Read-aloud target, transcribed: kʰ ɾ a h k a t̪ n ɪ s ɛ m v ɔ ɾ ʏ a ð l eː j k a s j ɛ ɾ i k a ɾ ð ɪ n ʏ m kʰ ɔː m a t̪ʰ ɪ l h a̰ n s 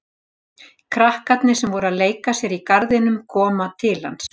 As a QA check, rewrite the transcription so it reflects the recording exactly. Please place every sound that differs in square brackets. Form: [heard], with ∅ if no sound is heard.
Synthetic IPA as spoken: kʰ ɾ a h k a t̪ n ɪ s ɛ m v ɔ ɾ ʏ a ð l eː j k a s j ɛ ɾ i k a ɾ ð ɪ n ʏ m kʰ ɔː m a t̪ʰ ɪ l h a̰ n s